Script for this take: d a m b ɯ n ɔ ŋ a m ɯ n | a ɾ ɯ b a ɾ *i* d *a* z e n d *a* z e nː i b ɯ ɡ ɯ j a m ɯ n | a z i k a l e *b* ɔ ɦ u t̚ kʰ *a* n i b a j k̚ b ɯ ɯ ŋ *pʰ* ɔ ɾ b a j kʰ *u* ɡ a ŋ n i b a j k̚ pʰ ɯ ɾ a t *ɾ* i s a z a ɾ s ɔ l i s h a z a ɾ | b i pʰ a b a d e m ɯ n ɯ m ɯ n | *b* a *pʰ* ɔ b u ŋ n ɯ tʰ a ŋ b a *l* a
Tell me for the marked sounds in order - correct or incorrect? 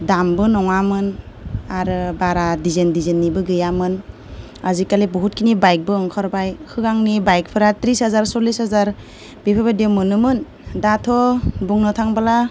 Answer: incorrect: a, incorrect: i, incorrect: i, correct, incorrect: i, incorrect: kʰ, incorrect: ɯ, correct, incorrect: d, incorrect: tʰ, correct

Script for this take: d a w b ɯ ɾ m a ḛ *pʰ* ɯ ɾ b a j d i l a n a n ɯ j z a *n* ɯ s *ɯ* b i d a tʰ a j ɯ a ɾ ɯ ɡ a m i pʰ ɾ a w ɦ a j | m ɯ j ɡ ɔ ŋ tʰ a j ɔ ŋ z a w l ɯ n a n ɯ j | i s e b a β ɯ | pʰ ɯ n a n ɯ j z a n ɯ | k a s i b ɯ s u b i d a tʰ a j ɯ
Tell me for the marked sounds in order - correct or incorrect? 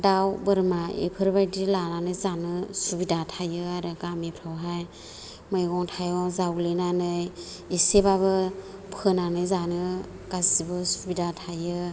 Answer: correct, correct, incorrect: u

